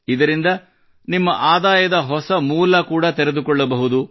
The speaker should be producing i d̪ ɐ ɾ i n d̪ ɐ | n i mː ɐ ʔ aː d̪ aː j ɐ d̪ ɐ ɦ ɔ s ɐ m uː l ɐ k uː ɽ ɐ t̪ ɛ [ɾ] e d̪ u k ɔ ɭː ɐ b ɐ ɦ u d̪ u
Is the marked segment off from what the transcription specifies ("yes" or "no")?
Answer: no